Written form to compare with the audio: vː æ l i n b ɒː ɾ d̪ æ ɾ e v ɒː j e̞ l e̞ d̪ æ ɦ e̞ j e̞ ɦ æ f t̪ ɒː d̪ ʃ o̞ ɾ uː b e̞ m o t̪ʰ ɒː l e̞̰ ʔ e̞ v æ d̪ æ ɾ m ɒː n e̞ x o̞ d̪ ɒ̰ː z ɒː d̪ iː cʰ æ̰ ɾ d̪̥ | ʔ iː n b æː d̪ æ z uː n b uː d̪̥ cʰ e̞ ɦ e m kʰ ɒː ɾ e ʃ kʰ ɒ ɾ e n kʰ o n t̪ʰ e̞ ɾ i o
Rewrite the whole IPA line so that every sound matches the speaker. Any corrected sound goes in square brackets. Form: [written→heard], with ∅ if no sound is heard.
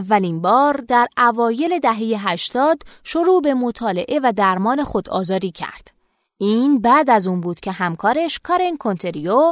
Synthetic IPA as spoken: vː æ l i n b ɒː ɾ d̪ æ ɾ [e→æ] v ɒː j e̞ l e̞ d̪ æ ɦ e̞ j e̞ ɦ æ [f→ʃ] t̪ ɒː d̪ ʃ o̞ ɾ uː b e̞ m o t̪ʰ ɒː l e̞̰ ʔ e̞ v æ d̪ æ ɾ m ɒː n e̞ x o̞ d̪ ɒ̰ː z ɒː d̪ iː cʰ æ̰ ɾ d̪̥ | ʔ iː n b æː d̪ æ z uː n b uː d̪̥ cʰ e̞ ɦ [e→æ] m kʰ ɒː ɾ e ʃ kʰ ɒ ɾ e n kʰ o n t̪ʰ e̞ ɾ i o